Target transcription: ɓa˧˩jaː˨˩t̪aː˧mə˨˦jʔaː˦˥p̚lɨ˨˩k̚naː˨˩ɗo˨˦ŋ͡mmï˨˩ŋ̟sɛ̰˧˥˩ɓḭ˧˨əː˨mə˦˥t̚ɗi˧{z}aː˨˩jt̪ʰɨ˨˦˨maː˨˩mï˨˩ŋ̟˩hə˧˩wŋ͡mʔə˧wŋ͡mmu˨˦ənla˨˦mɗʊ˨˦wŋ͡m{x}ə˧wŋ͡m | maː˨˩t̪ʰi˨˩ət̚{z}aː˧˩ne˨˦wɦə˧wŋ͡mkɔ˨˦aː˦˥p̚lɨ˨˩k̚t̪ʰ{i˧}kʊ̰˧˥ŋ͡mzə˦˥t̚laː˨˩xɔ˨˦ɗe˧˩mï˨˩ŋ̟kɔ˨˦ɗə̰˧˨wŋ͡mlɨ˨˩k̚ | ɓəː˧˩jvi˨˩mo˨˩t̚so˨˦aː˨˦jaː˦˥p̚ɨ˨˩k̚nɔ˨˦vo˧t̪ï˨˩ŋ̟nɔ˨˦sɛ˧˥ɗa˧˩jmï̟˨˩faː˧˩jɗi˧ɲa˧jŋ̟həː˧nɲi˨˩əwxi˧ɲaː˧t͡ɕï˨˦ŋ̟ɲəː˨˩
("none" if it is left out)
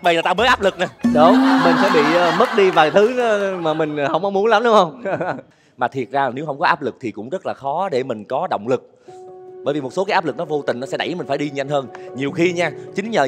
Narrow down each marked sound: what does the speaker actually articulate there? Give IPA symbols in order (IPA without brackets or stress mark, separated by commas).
v, h, z, i˨˩